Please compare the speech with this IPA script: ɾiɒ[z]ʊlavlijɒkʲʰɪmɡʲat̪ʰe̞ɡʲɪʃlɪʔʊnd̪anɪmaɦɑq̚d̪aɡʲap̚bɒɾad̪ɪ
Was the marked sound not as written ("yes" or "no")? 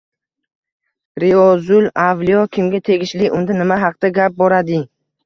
no